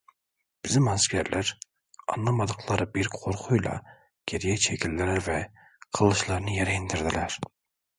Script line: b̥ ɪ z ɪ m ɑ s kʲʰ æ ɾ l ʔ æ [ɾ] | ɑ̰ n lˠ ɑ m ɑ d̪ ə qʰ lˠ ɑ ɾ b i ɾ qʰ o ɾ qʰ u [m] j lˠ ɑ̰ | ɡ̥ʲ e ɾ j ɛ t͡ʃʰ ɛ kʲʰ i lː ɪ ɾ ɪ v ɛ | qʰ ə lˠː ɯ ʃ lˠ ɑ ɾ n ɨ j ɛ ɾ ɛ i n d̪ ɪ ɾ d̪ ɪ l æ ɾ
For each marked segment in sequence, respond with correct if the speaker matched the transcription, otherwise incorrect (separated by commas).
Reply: correct, incorrect